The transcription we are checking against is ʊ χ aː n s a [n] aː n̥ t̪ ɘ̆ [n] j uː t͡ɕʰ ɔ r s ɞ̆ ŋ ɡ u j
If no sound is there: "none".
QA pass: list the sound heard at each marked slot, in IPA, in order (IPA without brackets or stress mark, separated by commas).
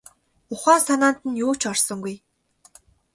n, n